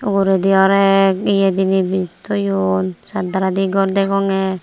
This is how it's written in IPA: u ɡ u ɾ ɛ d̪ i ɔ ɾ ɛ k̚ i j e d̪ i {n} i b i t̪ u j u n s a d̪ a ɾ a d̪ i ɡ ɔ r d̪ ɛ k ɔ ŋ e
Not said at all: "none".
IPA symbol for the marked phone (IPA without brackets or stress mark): n